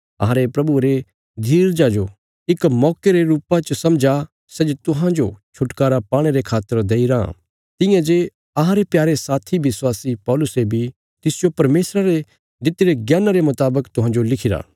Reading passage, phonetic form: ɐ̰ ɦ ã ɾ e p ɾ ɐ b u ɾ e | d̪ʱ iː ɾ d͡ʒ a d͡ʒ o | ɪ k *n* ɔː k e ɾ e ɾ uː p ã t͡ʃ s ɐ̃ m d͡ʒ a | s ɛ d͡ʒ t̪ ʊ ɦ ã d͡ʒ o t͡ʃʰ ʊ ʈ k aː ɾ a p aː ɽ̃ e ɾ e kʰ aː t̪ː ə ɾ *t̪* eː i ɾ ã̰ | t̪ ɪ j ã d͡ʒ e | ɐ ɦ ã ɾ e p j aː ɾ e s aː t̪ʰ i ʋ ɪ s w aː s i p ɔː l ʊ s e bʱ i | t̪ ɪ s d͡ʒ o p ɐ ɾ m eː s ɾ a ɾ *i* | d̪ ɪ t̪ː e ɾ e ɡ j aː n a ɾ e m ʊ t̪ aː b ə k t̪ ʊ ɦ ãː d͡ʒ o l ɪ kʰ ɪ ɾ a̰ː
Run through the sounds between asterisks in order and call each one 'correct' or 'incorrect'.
incorrect, incorrect, incorrect

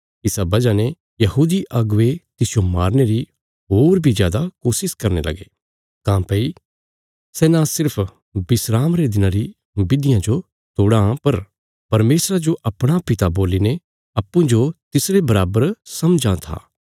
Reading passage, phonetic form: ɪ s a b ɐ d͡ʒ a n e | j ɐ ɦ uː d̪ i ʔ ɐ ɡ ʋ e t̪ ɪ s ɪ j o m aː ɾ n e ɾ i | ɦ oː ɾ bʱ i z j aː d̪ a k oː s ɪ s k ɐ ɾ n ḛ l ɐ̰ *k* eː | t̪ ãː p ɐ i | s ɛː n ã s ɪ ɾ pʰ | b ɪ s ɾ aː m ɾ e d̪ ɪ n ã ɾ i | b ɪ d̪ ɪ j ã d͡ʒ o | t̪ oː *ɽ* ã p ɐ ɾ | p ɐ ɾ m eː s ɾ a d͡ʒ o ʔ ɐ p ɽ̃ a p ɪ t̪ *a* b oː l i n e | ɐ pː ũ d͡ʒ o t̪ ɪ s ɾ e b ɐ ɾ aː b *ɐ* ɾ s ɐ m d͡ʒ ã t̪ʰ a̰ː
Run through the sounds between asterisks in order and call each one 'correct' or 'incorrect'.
incorrect, correct, correct, incorrect

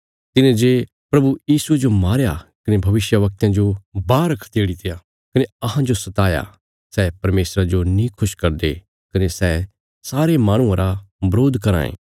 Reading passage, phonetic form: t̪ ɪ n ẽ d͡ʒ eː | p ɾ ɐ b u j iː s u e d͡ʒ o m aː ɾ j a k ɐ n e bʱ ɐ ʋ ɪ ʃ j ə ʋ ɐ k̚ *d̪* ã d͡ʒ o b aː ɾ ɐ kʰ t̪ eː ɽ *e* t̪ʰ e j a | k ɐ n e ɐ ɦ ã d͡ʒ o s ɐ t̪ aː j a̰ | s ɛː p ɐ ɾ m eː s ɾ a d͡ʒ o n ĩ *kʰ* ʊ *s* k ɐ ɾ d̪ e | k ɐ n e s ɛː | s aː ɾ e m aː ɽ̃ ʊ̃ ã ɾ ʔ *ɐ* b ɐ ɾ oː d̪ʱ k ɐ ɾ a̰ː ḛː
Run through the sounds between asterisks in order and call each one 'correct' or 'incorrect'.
incorrect, incorrect, correct, incorrect, incorrect

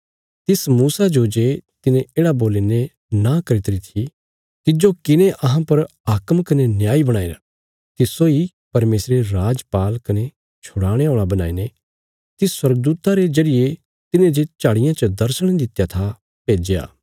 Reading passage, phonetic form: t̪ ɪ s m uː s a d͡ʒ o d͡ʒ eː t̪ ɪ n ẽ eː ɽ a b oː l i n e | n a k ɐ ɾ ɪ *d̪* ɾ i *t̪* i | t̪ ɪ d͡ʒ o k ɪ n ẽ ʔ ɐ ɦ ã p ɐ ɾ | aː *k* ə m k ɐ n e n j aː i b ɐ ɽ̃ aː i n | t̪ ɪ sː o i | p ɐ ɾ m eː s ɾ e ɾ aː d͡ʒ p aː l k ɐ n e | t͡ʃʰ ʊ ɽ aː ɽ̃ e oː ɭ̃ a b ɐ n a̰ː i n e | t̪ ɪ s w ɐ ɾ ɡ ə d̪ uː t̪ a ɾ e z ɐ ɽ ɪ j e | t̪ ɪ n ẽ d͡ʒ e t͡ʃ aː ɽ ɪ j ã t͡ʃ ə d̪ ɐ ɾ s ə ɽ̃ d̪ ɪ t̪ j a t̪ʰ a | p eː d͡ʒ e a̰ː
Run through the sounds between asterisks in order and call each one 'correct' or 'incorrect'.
incorrect, incorrect, correct

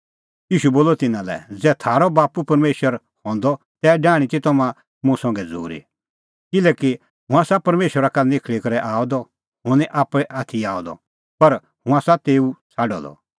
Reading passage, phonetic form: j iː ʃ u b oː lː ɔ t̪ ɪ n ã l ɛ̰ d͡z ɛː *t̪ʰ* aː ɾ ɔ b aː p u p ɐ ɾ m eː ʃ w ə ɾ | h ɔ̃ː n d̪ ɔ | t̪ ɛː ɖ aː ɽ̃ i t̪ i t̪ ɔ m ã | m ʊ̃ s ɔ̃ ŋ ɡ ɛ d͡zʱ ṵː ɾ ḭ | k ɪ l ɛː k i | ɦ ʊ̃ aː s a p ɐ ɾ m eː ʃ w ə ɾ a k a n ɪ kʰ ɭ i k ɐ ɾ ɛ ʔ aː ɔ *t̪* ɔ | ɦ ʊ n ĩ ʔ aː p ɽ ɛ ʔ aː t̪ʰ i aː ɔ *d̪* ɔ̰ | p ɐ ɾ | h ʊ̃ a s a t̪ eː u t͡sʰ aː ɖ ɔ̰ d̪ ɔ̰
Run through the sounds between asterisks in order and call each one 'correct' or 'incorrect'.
correct, incorrect, correct

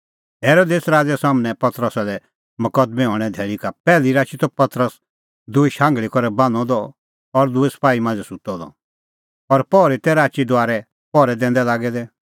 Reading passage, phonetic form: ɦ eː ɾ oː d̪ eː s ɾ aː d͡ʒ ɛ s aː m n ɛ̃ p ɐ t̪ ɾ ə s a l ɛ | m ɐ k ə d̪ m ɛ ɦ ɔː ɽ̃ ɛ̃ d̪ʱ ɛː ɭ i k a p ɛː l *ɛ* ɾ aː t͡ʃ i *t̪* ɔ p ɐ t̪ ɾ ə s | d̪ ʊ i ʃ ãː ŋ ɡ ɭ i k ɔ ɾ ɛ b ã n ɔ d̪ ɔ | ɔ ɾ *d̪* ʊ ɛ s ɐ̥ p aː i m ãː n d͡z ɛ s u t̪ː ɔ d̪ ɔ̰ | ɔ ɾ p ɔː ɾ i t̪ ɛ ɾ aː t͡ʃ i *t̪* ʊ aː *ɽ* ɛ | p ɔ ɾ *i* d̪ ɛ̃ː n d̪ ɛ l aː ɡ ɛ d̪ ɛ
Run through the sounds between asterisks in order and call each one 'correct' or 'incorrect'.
incorrect, correct, correct, incorrect, incorrect, incorrect

